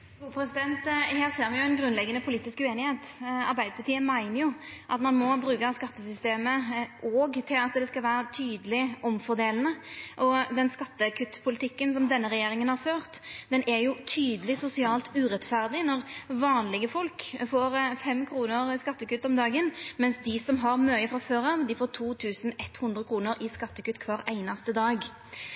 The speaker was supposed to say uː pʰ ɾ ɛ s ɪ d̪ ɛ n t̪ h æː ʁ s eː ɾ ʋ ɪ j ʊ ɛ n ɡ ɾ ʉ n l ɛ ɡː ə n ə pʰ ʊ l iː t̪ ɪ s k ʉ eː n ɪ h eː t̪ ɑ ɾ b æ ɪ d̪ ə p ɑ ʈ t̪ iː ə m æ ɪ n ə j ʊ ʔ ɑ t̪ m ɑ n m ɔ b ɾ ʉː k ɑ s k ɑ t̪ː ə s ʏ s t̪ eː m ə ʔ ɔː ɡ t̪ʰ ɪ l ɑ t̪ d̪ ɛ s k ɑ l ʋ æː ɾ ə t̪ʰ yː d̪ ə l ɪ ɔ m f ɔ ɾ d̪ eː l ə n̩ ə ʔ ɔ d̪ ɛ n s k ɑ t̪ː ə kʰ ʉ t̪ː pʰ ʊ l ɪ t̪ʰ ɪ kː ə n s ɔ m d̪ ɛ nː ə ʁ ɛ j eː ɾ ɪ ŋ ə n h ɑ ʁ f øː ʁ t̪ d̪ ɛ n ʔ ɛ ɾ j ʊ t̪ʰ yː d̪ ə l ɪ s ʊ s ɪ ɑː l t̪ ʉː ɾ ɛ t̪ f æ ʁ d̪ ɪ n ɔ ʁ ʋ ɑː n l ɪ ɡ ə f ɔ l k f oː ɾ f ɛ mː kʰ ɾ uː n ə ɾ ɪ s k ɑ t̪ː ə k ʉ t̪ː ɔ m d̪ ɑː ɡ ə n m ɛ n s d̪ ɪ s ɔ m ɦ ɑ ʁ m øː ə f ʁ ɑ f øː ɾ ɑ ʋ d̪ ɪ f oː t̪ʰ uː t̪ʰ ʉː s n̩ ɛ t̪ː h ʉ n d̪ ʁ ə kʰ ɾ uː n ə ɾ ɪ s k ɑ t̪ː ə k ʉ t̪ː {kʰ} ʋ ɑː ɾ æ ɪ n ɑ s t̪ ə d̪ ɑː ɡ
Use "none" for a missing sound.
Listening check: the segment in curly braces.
kʰ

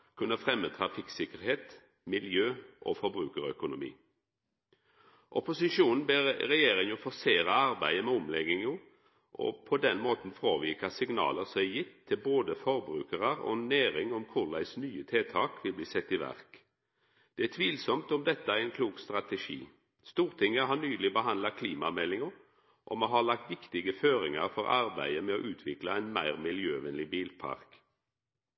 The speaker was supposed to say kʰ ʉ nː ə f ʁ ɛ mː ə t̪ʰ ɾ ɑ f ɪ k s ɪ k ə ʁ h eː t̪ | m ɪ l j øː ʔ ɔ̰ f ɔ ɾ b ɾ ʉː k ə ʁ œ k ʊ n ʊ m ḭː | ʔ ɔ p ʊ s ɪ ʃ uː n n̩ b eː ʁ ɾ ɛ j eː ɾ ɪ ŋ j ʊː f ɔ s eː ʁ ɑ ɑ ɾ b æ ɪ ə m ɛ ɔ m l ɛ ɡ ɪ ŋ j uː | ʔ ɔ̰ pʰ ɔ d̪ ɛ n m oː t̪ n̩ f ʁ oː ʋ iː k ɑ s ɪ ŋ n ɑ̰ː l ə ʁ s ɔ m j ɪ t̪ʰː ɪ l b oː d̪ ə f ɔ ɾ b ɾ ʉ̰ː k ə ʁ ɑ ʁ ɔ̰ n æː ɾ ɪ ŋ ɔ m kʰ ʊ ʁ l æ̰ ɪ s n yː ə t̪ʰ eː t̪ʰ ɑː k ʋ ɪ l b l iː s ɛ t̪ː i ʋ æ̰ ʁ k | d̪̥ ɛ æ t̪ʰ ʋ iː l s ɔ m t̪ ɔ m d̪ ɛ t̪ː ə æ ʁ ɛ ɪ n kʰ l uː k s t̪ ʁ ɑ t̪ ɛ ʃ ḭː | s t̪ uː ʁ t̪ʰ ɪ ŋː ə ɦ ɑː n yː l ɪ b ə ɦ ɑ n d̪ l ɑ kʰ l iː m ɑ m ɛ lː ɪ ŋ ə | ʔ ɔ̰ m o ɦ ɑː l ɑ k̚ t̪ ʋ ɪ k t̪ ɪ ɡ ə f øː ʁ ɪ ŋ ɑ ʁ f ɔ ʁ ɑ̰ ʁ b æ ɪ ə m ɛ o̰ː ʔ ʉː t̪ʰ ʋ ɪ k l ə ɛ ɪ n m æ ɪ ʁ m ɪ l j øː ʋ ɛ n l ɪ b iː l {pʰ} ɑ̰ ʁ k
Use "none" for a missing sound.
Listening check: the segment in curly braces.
pʰ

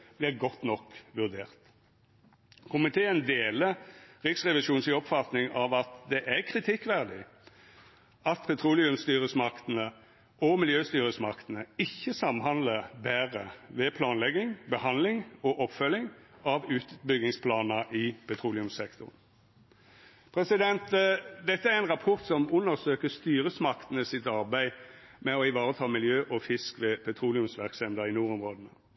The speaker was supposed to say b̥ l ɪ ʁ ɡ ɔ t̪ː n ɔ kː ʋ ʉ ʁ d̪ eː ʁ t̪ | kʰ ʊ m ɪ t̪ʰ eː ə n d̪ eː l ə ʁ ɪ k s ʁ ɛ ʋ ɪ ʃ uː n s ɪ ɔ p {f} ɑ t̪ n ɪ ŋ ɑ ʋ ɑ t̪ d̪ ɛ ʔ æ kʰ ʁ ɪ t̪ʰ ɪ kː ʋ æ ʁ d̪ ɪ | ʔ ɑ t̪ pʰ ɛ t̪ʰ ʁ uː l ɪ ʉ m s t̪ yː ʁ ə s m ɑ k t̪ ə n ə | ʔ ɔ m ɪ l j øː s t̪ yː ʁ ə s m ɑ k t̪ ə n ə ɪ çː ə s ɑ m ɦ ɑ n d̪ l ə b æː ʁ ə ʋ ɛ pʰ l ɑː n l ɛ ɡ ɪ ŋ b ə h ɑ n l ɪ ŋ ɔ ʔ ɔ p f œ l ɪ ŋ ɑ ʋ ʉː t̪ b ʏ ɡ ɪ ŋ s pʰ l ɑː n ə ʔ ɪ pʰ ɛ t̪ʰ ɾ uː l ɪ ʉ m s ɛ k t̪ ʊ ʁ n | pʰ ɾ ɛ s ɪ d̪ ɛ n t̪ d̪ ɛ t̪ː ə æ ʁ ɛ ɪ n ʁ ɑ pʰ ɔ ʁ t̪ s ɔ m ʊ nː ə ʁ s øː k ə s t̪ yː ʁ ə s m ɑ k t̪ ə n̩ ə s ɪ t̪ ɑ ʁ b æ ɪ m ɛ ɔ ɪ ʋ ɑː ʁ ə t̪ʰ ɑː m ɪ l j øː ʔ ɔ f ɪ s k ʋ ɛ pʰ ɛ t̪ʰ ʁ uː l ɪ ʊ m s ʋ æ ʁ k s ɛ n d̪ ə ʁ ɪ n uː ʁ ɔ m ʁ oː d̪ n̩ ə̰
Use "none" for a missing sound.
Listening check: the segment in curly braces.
f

